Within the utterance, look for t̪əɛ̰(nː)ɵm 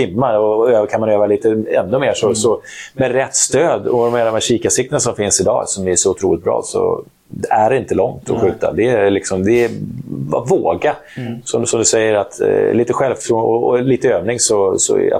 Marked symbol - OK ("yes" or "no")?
yes